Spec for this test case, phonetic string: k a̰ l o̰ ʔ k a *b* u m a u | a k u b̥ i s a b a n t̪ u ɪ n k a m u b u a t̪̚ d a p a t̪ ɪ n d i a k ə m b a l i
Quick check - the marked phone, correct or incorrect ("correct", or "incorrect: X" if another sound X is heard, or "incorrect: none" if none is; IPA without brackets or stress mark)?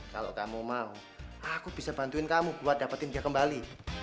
incorrect: m